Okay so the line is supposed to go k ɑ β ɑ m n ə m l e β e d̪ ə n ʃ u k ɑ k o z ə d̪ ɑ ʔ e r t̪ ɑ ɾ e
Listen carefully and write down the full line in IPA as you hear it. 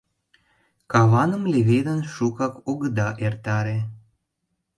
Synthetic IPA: k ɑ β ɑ n ə m l e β e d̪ ə n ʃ u k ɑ k o ɣ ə d̪ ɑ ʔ e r t̪ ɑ ɾ e